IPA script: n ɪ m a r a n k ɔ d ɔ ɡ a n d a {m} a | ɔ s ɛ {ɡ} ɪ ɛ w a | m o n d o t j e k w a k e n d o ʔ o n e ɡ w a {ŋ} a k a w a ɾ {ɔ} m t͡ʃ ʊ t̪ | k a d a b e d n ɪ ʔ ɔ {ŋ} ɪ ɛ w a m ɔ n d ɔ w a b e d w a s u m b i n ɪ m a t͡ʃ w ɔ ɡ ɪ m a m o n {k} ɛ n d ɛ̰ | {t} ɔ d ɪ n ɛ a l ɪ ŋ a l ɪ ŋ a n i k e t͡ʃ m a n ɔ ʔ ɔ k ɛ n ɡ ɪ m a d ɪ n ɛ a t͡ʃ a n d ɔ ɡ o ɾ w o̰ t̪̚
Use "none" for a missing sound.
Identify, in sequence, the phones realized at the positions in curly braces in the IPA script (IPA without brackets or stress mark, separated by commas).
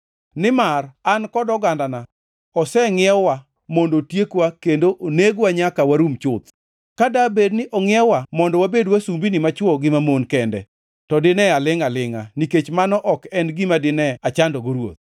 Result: n, ŋ, ɲ, u, ŋ, k, t